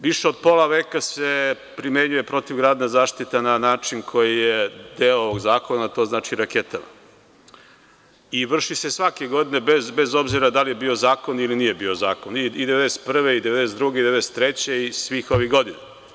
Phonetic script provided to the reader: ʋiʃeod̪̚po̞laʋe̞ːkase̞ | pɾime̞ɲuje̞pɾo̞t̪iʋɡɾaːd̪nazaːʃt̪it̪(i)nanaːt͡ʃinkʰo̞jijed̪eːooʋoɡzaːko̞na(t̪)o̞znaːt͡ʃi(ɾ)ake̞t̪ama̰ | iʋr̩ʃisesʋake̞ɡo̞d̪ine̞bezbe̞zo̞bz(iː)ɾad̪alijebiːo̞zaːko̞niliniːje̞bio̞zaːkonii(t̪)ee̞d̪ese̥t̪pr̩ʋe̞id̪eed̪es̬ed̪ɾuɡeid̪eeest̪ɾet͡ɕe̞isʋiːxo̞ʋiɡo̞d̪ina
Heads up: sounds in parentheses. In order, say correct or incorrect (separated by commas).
incorrect, correct, correct, incorrect, incorrect